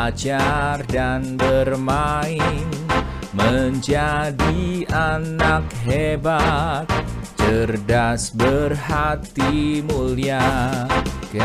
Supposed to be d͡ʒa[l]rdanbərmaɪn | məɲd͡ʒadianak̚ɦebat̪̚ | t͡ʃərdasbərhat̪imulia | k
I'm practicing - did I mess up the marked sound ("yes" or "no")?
yes